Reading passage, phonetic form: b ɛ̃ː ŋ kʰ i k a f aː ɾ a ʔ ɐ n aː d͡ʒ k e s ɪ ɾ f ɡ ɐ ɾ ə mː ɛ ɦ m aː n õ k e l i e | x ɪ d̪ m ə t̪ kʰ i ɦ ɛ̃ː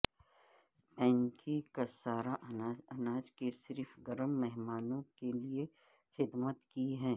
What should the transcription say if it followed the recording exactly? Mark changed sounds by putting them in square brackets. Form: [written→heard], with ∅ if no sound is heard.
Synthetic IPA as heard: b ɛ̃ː ŋ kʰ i k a [f→s] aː ɾ a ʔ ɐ n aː d͡ʒ k e s ɪ ɾ f ɡ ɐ ɾ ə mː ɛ ɦ m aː n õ k e l i e | x ɪ d̪ m ə t̪ [kʰ→k] i ɦ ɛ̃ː